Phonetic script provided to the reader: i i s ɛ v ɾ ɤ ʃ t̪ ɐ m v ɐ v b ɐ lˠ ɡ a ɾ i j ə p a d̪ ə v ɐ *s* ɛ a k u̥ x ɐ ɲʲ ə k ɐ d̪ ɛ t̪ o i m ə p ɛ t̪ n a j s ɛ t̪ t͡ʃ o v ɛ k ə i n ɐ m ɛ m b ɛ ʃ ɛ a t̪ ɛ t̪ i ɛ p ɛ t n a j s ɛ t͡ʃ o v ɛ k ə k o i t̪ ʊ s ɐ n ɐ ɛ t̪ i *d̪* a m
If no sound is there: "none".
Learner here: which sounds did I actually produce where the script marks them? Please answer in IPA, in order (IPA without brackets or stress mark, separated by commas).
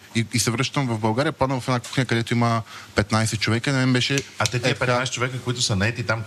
f, t̪